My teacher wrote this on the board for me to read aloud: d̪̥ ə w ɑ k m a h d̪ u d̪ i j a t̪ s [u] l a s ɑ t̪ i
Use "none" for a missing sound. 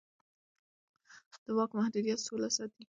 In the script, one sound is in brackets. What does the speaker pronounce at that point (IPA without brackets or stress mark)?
o